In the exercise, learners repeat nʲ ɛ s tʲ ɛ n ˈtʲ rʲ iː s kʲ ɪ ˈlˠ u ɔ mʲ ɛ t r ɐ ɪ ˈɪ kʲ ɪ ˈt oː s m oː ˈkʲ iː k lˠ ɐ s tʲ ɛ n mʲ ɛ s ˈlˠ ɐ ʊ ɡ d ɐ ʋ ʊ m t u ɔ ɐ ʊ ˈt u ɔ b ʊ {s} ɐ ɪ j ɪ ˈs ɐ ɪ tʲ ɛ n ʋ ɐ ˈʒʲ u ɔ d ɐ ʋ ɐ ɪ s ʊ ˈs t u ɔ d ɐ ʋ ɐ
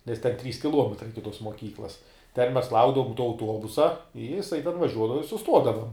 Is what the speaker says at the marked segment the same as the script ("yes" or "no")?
yes